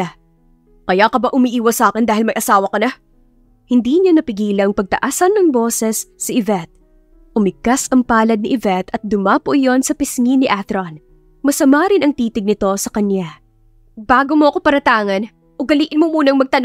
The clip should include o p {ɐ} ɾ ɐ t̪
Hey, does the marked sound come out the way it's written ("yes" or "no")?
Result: yes